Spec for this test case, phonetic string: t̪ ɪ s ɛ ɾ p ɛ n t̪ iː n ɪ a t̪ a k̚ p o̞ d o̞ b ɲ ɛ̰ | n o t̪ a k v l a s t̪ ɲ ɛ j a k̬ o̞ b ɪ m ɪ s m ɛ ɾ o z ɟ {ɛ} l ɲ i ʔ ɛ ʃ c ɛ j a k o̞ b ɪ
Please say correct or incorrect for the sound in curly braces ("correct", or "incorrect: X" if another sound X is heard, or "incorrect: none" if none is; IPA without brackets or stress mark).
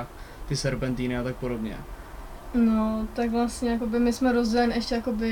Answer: correct